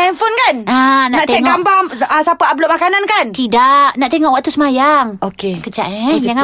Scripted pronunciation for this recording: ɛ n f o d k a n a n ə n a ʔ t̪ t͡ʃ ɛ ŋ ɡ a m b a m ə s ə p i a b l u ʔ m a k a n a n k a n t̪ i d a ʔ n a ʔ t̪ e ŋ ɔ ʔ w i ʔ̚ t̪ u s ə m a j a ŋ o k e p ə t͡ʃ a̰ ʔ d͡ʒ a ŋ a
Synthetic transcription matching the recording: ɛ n f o n k a n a n a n a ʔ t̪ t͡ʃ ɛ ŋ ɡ a m b a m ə s a p a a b l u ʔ m a k a n a n k a n t̪ i d a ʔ n a ʔ t̪ e ŋ ɔ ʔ w a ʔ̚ t̪ u s ə m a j a ŋ o k e k ə t͡ʃ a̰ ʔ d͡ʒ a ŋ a